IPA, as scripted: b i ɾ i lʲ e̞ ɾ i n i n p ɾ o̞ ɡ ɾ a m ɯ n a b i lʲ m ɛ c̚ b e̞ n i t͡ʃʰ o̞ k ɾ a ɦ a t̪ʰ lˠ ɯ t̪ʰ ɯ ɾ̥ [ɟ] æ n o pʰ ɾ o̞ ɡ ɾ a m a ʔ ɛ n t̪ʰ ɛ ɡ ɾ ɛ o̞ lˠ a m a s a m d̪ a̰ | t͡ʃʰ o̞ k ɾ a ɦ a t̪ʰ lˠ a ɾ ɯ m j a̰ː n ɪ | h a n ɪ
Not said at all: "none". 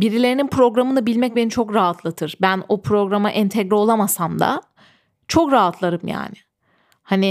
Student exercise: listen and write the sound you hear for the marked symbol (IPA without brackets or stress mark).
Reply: b